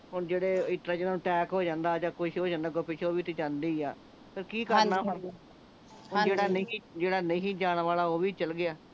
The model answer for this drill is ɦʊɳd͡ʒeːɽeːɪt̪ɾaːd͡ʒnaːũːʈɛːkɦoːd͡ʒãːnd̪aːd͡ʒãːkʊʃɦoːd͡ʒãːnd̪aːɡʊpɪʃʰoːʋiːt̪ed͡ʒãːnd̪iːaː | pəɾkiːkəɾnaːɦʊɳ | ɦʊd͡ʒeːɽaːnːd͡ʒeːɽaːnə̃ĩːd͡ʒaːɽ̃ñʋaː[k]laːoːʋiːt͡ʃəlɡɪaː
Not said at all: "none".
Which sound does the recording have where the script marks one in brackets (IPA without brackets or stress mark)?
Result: none